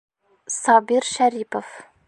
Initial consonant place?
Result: alveolar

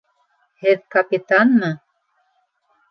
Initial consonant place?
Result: glottal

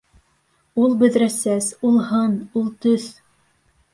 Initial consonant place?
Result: alveolar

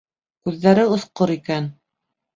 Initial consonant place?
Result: velar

